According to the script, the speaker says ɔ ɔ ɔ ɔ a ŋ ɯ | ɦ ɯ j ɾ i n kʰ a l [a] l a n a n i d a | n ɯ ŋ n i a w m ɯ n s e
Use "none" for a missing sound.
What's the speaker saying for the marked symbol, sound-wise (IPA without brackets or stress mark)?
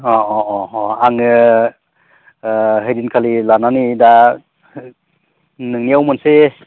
i